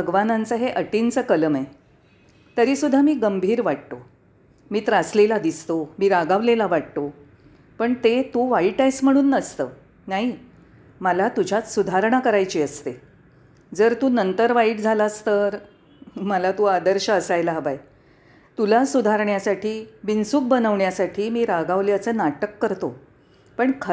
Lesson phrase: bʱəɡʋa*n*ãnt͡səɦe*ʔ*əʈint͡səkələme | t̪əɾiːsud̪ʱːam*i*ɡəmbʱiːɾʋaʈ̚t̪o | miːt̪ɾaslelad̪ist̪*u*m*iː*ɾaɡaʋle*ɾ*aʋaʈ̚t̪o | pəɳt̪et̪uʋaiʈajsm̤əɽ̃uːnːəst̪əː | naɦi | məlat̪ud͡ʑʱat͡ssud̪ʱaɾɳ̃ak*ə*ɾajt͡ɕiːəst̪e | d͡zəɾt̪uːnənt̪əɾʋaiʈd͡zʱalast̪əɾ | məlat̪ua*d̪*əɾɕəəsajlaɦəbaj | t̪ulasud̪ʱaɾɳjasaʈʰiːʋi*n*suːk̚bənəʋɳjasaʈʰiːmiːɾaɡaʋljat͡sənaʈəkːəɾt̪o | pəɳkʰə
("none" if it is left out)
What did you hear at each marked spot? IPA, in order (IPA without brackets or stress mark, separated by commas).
n, ʔ, iː, o, iː, l, ə, d̪, n